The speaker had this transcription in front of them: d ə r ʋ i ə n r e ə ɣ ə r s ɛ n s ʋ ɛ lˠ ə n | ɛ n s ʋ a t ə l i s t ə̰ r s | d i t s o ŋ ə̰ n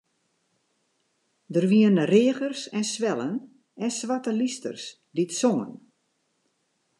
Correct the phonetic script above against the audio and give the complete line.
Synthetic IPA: d ə r ʋ i ə n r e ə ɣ ə r s ɛ n s ʋ ɛ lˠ ə n | ɛ n s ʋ a t ə l i s t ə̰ r s | d i t s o ŋ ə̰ n

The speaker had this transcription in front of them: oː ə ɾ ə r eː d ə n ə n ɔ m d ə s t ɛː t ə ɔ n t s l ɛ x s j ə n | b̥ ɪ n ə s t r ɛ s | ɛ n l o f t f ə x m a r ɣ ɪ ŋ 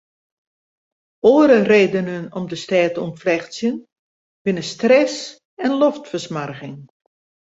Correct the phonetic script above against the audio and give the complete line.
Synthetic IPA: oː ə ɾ ə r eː d ə n ə n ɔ m d ə s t ɛː t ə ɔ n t f l ɛ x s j ə n | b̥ ɪ n ə s t r ɛ s | ɛ n l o f t f ə s m a r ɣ ɪ ŋ

